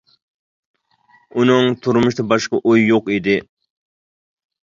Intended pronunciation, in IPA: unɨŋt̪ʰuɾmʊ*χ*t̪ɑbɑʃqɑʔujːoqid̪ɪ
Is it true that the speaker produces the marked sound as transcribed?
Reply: no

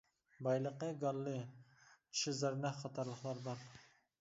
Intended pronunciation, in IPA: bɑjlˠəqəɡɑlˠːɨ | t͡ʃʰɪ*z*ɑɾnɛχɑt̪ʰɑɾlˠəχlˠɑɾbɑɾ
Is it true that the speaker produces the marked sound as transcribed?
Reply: yes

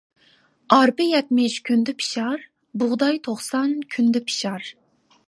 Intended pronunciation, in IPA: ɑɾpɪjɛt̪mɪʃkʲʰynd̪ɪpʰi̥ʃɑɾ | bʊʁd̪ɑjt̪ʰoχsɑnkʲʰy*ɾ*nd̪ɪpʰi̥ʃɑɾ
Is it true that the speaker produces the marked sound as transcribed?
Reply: no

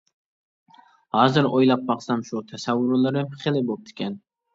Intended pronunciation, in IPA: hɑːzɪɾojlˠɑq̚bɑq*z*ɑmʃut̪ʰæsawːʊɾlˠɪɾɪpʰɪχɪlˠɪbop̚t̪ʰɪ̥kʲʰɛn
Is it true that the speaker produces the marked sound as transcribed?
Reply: no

